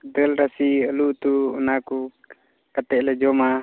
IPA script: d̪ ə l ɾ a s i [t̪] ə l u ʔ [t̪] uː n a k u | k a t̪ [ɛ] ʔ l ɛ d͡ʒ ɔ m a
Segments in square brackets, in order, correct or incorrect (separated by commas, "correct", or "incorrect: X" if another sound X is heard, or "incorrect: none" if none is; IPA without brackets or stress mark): incorrect: none, correct, correct